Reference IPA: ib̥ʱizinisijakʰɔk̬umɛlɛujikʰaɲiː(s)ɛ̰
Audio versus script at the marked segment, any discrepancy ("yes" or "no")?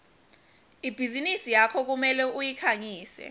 no